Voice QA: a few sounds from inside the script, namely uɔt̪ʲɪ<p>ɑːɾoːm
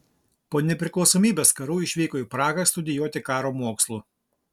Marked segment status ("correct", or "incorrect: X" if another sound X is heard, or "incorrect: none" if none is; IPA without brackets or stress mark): incorrect: k